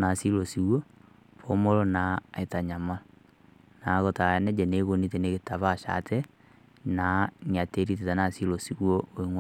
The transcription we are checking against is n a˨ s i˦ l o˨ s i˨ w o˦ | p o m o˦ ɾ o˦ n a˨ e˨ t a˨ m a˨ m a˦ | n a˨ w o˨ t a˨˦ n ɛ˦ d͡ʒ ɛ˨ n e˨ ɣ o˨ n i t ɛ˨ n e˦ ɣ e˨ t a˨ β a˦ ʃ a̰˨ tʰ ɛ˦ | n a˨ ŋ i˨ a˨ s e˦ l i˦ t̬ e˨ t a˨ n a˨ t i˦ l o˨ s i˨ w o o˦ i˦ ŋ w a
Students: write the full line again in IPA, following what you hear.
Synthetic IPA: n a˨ s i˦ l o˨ s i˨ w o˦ | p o m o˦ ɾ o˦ n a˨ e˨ t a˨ ɲ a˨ m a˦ | n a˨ ɣ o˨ t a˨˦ n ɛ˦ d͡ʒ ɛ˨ n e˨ ɣ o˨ n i t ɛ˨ n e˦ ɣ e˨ t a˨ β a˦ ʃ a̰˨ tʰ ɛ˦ | n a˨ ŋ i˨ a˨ t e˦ ɾ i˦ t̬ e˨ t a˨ n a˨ s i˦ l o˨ s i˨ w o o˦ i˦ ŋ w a